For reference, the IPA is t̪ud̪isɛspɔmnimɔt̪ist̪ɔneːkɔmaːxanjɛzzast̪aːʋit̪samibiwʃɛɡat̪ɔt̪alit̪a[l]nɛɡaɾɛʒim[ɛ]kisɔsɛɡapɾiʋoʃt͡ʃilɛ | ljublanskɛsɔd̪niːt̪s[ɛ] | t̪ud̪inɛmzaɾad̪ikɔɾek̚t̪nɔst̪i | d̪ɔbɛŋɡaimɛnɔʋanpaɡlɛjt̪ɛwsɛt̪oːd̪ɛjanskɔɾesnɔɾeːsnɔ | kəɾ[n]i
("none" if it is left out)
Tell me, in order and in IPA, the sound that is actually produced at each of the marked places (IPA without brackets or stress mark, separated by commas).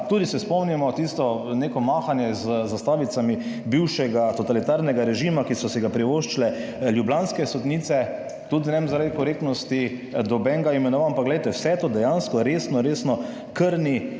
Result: ɾ, a, ɛ, n